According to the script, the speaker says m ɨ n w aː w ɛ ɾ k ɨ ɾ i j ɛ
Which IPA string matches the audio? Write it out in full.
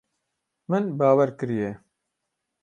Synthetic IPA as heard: m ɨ n b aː w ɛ ɾ k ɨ ɾ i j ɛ